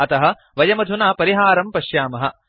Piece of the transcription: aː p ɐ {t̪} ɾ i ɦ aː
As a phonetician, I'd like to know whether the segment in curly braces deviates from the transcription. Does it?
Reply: yes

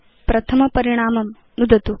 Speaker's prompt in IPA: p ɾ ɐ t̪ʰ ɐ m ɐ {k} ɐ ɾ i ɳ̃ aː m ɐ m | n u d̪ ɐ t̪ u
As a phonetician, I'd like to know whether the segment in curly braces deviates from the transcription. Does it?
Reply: yes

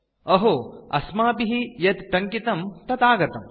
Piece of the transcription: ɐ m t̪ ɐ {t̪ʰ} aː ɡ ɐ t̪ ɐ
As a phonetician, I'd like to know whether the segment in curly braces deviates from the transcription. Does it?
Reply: yes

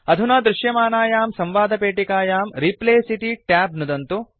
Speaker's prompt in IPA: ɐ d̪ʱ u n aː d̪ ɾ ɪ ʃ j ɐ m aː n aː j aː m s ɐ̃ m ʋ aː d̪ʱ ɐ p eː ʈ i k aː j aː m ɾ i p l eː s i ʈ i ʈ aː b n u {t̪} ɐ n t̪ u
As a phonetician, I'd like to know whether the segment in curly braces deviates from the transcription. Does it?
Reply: yes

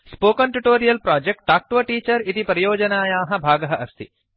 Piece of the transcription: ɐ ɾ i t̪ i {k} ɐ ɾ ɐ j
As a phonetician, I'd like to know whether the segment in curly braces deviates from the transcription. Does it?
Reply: yes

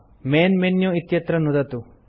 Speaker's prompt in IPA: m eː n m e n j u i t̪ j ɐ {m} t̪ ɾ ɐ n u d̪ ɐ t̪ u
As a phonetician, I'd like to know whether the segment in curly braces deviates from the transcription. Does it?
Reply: yes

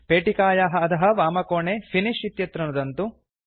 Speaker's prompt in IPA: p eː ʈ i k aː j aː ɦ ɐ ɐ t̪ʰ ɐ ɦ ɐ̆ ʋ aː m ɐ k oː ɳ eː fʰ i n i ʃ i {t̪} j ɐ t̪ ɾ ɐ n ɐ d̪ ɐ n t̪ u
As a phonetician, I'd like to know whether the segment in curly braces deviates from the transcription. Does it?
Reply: no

